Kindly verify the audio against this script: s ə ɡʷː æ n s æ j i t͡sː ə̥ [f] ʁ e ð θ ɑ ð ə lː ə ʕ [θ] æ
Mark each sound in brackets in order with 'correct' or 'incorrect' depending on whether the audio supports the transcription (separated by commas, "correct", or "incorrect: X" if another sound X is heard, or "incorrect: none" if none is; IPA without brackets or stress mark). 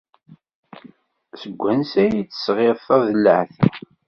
incorrect: s, correct